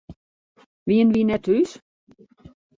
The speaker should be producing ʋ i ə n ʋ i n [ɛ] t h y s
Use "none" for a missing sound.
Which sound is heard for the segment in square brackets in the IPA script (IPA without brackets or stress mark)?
ɛ